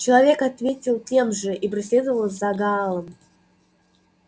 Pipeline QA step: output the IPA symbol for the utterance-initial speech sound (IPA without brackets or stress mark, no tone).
t͡ɕ